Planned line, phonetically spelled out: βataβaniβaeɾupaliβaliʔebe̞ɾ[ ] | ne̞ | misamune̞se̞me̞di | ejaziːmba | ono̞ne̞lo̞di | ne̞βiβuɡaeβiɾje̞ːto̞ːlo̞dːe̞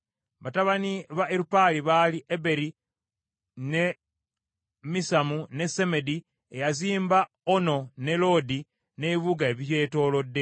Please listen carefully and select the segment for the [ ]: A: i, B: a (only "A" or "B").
A